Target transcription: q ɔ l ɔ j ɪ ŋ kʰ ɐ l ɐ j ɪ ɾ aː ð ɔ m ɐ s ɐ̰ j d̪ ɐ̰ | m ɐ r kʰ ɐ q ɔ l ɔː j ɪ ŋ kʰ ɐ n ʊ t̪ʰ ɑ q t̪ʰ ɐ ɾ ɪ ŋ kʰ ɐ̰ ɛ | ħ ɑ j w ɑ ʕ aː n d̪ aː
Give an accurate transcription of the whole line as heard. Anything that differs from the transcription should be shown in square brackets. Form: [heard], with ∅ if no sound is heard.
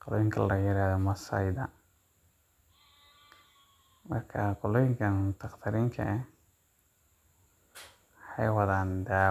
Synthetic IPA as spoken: q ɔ l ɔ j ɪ ŋ kʰ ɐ l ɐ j ɪ ɾ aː ð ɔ m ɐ s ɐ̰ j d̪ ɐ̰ | m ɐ r kʰ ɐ q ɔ l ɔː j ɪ ŋ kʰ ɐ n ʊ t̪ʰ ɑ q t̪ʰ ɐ ɾ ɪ ŋ kʰ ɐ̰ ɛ | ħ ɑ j w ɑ [ð] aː n d̪ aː